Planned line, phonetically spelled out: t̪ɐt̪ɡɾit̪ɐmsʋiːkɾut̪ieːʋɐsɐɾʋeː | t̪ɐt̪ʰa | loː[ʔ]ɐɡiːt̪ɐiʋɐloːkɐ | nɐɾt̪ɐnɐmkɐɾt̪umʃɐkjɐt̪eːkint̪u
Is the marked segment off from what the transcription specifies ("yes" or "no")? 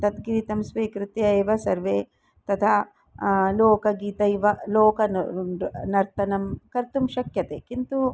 yes